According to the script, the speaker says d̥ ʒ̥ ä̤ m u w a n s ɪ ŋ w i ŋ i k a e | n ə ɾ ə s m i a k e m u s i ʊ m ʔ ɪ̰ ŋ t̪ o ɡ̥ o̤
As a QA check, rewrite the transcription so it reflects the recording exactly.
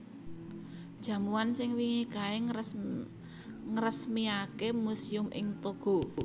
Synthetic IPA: d̥ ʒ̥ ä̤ m u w a n s ɪ ŋ w i ŋ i k a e | ŋ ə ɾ ə s m i a k e m u s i ʊ m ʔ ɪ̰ ŋ t̪ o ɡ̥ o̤